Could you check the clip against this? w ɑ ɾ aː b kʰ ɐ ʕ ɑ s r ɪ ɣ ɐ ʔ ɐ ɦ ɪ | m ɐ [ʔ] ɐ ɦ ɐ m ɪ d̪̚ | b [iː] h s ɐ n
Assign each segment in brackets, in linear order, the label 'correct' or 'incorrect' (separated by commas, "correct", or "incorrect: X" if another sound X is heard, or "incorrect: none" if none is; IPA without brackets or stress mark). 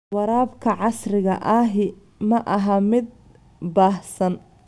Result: correct, incorrect: aː